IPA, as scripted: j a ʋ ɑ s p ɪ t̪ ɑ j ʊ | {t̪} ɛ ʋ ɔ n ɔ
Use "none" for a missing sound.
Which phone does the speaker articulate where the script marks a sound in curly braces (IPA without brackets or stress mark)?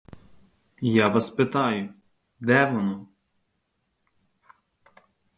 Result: d̪